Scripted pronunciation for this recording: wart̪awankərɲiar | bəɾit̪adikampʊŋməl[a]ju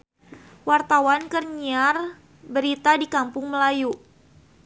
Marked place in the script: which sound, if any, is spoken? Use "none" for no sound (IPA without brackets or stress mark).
a